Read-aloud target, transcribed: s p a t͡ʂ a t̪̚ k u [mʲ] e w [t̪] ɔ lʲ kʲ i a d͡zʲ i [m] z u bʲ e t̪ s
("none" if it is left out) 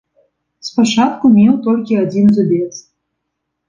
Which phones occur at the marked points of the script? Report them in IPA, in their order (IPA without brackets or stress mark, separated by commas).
mʲ, t̪, n